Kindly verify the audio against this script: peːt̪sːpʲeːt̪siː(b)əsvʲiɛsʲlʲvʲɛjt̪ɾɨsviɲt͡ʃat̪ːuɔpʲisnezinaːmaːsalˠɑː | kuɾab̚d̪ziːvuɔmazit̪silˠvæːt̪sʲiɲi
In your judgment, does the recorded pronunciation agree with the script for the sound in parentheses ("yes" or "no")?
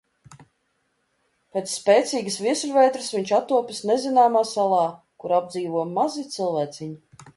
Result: no